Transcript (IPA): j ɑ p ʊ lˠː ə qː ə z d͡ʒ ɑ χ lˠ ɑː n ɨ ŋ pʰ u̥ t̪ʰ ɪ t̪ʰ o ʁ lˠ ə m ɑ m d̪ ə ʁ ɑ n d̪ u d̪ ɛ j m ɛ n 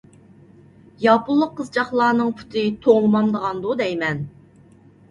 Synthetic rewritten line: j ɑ p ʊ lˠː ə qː ə z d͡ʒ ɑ χ lˠ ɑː n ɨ ŋ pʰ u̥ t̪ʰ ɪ t̪ʰ o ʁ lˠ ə m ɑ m d̪ ə ʁ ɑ n d̪ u d̪ ɛ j m ɛ n